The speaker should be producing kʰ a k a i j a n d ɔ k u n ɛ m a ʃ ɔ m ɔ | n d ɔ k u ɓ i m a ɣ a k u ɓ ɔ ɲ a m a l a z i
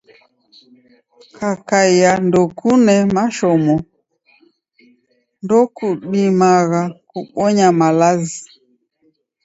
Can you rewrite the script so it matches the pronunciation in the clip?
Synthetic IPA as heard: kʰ a k a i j a n d ɔ k u n ɛ m a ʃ ɔ m ɔ | n d ɔ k u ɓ i m a ɣ a k u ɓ ɔ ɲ a m a l a z i